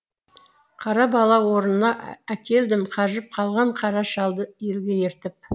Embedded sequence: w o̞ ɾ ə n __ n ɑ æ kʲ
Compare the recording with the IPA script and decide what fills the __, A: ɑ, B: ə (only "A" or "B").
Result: B